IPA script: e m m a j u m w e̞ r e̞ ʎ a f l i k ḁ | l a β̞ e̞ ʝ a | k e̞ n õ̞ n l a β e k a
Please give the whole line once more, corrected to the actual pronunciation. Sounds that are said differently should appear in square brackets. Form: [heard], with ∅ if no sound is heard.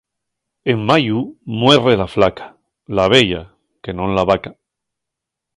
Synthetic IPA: e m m a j u m w e̞ r e̞ [l] a f l [a] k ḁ | l a β̞ e̞ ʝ a | k e̞ n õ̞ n l a β [a] k a